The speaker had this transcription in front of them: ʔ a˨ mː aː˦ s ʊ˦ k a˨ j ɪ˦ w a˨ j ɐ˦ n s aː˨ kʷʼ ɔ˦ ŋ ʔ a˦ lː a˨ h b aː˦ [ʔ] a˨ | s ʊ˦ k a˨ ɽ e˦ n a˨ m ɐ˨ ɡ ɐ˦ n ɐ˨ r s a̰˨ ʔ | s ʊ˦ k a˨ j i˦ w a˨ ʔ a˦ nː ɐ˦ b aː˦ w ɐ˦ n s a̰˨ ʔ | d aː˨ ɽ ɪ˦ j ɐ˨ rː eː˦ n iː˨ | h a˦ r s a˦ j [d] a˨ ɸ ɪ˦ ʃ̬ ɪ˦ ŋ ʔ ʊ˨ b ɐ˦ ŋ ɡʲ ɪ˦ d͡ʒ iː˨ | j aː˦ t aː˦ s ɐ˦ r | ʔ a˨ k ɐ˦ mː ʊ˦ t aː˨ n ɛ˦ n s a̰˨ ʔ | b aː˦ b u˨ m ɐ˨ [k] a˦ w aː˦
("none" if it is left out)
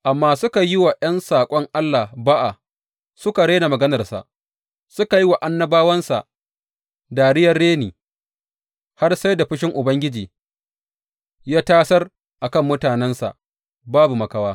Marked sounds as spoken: ʔ, d, k

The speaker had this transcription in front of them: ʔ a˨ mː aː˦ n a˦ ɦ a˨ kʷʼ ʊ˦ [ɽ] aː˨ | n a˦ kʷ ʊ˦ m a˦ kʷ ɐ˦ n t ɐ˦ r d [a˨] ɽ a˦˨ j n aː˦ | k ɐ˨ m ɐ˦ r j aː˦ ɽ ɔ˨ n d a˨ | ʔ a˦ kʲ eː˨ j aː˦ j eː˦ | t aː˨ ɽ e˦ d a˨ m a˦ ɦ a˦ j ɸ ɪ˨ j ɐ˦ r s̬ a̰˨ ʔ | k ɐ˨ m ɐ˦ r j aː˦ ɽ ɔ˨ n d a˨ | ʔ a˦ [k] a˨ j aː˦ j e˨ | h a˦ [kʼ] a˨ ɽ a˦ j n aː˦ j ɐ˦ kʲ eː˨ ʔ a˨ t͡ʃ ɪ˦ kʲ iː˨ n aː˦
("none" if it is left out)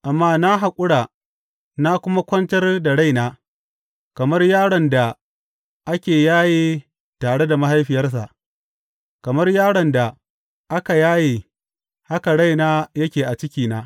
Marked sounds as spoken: ɽ, a˨, k, k

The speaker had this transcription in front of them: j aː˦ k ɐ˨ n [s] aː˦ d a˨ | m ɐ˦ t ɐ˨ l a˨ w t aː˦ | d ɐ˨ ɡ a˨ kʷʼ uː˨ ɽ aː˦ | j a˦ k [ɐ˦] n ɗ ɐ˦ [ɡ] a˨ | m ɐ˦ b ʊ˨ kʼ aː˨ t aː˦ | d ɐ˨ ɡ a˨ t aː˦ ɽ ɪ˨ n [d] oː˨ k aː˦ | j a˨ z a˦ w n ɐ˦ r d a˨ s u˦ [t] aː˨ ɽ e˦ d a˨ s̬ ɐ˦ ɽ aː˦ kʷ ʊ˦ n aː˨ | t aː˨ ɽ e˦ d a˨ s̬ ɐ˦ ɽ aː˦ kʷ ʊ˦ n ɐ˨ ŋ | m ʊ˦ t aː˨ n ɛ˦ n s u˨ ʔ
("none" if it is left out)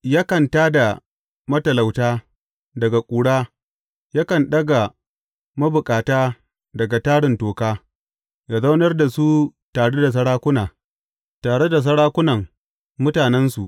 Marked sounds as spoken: t, ɐ˨, ɡ, t, t

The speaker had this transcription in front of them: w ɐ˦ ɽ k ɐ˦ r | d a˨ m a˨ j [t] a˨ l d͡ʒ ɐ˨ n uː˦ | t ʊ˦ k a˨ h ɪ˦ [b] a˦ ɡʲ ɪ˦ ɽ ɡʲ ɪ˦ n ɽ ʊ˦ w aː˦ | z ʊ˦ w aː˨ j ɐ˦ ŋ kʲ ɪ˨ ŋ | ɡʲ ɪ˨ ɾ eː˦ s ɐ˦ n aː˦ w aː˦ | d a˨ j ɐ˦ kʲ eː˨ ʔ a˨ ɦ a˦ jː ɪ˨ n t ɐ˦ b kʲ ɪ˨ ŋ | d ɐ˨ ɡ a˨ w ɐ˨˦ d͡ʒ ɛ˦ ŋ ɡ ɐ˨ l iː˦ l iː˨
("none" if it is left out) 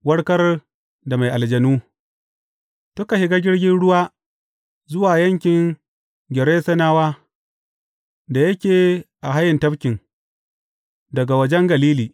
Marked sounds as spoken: ʔ, ɡ

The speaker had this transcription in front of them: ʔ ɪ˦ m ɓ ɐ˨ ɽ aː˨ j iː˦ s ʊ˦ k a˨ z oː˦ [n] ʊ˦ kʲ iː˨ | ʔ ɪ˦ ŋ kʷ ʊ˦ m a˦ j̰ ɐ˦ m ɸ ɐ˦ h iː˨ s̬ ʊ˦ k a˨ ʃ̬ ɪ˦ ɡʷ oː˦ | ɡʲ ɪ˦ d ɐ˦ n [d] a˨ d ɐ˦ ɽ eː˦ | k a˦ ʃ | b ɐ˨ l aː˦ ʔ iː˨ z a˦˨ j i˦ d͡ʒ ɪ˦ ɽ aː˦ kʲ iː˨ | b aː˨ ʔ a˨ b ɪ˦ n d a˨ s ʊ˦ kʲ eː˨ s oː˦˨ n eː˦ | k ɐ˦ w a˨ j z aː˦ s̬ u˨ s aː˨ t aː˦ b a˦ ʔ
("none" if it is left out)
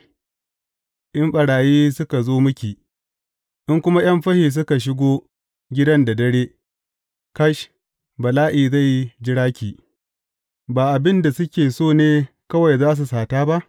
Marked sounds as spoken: m, d

